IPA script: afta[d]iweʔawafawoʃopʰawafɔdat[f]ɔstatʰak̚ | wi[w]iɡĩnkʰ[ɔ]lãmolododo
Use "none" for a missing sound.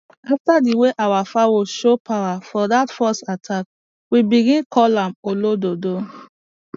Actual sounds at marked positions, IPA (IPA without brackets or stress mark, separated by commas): d, f, b, ɔ